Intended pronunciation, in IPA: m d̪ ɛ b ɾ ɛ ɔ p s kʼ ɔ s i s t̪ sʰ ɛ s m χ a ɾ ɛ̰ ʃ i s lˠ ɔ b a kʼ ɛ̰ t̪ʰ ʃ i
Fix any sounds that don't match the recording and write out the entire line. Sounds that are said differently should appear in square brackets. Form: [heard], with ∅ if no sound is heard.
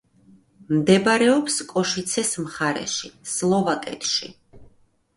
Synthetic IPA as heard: m d̪ ɛ b ɾ ɛ ɔ p s kʼ ɔ [ʃ] i [∅] t̪ sʰ ɛ s m χ a ɾ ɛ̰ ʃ i s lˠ ɔ [v] a kʼ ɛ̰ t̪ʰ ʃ i